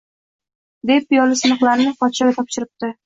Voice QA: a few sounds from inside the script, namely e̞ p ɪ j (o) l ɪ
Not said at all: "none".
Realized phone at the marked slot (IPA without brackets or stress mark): ɒ